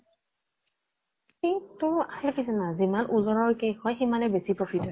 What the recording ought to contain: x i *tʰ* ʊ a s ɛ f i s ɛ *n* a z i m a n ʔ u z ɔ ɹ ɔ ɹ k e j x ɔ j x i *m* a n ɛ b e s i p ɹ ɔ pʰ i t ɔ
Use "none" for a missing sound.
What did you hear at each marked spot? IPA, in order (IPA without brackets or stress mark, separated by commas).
t, n, m